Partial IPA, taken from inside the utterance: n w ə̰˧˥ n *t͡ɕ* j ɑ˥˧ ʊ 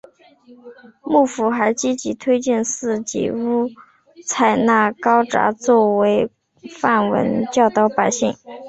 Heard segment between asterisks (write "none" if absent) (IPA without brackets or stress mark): t͡ɕ